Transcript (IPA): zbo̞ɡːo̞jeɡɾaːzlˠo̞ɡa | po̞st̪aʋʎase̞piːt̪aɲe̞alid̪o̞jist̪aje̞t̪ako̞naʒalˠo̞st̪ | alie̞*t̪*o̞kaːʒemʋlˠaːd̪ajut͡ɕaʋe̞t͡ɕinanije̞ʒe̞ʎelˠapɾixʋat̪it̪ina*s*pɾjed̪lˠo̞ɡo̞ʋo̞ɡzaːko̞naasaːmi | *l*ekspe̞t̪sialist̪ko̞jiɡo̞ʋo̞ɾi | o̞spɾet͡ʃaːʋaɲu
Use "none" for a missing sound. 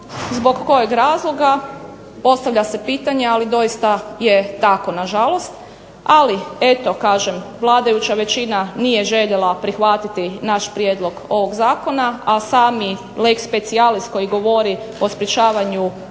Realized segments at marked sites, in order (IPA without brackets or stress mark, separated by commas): t̪, ʃ, l